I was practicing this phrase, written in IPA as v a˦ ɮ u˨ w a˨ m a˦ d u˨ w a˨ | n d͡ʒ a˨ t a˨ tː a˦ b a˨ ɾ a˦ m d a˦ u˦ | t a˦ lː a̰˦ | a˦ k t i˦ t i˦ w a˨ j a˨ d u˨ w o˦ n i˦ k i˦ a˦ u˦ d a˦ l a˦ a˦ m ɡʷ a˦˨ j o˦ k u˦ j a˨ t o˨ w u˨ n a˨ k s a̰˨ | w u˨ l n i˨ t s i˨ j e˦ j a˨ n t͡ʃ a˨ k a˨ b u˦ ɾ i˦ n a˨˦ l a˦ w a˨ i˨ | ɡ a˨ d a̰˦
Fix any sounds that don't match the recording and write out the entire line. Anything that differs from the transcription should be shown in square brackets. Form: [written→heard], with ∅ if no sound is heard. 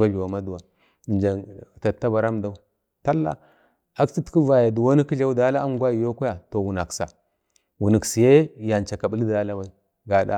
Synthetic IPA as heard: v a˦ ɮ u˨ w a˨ m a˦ d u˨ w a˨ | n d͡ʒ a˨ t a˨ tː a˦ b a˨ ɾ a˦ m d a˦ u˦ | t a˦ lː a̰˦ | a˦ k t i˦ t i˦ [w→v] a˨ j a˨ d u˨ w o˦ n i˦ k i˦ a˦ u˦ d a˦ l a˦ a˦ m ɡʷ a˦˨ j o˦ k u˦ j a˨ t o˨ w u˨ n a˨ k s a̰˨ | w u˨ [l→∅] n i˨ [t→k] s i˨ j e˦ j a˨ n t͡ʃ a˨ k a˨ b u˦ [ɾ→l] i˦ [n→d] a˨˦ l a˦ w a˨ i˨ | ɡ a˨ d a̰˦